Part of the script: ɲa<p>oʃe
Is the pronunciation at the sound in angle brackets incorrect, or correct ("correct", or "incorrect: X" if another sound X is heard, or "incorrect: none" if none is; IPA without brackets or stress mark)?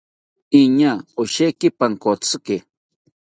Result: incorrect: none